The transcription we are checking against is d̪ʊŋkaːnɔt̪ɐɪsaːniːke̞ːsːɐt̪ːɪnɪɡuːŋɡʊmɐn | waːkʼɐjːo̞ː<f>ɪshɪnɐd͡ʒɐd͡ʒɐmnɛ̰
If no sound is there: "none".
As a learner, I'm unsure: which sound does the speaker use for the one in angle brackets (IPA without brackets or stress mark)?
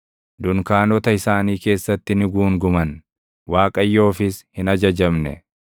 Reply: f